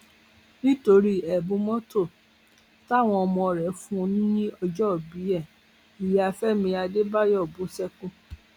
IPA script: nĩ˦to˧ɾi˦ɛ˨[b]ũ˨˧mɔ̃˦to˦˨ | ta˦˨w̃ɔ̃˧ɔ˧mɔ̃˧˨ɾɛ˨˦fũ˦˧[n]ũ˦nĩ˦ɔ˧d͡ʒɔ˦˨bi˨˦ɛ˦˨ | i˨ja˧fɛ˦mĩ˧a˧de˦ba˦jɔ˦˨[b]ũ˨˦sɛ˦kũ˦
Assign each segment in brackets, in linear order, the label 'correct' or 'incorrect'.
correct, correct, correct

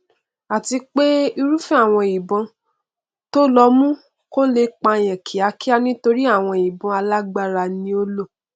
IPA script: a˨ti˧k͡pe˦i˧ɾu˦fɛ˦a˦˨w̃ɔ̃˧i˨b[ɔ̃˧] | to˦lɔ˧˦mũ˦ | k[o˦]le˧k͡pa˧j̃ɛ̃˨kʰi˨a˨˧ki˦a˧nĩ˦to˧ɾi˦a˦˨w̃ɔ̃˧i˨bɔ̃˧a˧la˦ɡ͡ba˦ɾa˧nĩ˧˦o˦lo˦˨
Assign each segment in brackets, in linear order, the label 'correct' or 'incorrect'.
correct, correct

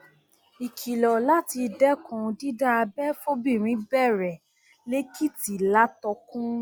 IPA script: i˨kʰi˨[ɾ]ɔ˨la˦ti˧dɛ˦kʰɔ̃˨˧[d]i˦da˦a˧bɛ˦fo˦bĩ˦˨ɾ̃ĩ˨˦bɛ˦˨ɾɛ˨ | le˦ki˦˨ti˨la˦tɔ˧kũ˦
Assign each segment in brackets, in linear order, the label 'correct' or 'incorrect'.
incorrect: l, correct

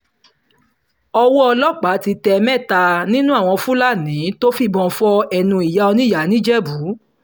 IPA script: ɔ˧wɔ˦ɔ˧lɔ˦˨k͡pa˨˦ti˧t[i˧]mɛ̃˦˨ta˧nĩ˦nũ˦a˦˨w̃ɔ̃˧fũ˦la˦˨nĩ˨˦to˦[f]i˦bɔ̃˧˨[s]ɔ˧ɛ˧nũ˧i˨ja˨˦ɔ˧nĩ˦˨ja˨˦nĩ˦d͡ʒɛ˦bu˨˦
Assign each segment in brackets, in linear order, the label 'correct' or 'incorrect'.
incorrect: ɛ˧, correct, incorrect: f

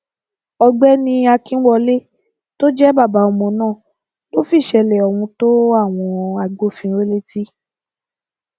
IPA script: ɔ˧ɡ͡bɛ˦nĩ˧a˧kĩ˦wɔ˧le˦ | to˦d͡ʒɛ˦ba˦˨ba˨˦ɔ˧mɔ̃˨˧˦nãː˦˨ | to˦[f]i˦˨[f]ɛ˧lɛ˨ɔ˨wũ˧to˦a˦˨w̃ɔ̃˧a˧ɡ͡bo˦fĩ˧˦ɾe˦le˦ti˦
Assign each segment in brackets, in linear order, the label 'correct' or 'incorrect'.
correct, incorrect: ʃ

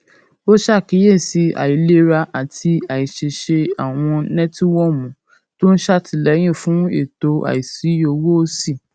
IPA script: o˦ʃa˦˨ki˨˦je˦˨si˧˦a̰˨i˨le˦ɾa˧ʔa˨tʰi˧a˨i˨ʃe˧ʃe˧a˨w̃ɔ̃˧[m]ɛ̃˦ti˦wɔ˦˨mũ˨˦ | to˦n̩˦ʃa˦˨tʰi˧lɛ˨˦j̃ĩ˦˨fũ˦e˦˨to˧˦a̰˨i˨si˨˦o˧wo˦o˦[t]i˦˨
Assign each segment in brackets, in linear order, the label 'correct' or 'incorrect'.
incorrect: n, incorrect: s

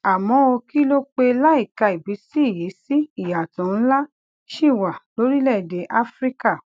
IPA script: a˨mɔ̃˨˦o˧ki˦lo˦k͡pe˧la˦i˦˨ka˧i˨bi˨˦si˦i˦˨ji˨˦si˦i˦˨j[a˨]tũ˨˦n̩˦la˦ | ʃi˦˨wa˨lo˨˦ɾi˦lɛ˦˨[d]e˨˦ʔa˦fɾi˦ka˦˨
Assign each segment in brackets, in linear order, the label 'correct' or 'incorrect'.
correct, correct

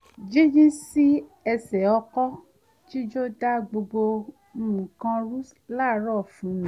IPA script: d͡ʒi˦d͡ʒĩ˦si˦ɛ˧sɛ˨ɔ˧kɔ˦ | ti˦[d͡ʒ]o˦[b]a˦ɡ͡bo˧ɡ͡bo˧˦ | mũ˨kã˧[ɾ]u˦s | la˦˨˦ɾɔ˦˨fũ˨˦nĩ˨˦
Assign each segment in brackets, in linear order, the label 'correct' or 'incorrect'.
correct, incorrect: d, correct

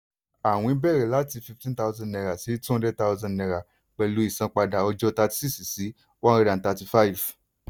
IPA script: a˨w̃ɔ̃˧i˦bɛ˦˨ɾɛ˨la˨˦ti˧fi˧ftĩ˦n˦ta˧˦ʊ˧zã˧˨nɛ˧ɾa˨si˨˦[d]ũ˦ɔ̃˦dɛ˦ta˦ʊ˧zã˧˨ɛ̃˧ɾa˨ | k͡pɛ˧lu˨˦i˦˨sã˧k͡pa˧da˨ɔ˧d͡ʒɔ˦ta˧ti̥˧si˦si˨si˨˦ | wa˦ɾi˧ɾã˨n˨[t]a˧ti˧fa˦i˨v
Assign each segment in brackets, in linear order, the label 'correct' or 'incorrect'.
incorrect: t, correct

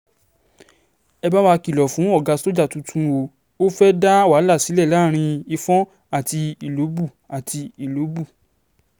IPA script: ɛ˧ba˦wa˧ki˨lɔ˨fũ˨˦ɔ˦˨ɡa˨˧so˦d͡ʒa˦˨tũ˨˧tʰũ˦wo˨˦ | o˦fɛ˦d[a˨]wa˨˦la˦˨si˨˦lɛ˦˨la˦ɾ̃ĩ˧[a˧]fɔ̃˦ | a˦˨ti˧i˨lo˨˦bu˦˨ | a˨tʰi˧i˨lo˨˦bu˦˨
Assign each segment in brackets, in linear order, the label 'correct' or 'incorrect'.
incorrect: a˦, incorrect: i˧

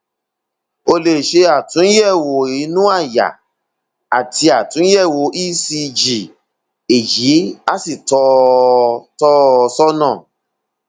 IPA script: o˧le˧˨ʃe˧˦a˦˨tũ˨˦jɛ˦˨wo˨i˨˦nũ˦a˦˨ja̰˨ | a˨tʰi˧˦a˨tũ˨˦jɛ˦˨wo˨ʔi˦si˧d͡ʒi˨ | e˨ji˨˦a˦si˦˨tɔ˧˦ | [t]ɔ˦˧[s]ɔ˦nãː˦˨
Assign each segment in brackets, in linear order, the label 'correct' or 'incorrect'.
correct, correct

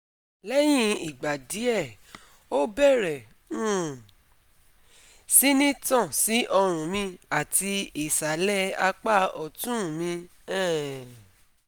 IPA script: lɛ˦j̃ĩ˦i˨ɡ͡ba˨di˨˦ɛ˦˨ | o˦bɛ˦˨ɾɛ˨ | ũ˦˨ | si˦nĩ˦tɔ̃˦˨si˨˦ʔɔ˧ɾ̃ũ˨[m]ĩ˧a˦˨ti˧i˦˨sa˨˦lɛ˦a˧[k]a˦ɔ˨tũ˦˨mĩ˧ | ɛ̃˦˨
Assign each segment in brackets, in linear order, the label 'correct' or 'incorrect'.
correct, incorrect: k͡p

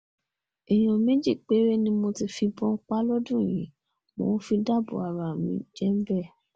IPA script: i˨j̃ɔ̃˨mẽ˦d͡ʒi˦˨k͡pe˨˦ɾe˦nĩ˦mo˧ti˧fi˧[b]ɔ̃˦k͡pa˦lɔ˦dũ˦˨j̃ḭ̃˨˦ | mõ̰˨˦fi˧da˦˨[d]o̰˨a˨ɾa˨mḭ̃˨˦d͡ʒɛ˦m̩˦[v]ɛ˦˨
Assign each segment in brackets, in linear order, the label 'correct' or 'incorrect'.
correct, incorrect: b, incorrect: b

